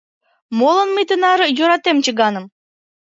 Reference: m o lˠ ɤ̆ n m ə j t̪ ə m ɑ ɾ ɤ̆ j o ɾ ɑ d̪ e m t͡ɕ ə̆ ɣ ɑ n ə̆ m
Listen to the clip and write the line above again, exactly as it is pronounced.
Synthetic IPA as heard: m o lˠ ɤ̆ n m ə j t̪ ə n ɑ ɾ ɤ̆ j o ɾ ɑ t̪ e m t͡ɕ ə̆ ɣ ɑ n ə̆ m